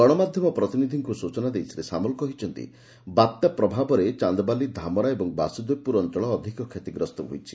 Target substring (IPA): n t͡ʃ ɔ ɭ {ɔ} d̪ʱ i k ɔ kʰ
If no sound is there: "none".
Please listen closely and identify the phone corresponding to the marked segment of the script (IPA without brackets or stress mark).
ɔː